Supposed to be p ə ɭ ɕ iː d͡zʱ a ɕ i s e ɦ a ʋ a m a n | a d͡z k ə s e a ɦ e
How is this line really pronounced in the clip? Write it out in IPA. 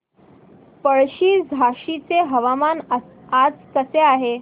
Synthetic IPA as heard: p ə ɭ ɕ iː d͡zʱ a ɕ i t͡s e ɦ ə ʋ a m a n | a d͡z k ə s e a ɦ e